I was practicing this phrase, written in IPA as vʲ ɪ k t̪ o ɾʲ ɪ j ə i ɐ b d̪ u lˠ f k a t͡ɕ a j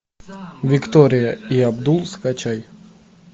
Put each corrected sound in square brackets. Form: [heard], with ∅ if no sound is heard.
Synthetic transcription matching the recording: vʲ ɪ k t̪ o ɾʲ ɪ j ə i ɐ b d̪ u lˠ [s] k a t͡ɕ a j